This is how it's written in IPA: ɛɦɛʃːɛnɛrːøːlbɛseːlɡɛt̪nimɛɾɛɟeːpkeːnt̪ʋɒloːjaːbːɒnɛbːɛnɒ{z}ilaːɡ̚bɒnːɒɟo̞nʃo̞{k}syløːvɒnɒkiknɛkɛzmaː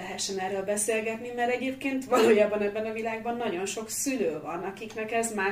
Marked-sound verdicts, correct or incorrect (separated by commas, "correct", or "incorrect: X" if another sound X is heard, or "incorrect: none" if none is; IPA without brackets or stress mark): incorrect: v, correct